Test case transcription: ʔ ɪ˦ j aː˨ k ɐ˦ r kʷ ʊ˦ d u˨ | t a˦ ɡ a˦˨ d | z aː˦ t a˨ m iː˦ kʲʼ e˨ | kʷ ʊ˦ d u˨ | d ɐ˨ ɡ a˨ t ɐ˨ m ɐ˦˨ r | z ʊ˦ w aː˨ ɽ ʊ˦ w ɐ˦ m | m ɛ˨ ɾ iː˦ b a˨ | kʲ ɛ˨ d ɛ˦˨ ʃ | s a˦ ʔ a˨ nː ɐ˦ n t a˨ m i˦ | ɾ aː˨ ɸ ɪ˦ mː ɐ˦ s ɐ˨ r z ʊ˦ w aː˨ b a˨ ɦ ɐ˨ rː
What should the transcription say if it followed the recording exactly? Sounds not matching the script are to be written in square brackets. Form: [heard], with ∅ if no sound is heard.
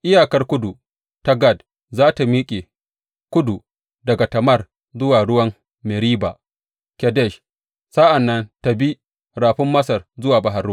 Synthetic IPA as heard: ʔ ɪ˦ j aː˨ k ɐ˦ r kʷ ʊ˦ d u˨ | t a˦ ɡ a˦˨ d | z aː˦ t a˨ m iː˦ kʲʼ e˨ | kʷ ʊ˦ d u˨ | d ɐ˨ ɡ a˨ t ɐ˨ m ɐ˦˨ r | z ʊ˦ w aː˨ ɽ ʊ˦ w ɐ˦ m | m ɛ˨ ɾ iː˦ b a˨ | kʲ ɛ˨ d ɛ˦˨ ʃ | s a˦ ʔ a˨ nː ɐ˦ n t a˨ [b] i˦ | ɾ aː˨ ɸ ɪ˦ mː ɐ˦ s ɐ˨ r z ʊ˦ w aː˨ b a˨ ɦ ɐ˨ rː